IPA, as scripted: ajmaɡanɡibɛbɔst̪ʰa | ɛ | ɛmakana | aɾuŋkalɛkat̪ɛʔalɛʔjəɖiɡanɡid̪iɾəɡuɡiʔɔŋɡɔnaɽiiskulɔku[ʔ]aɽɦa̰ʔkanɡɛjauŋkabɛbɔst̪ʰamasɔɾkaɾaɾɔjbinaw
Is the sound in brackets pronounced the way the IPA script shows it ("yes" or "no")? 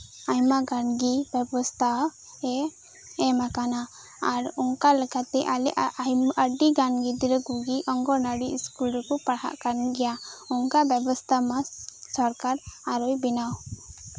no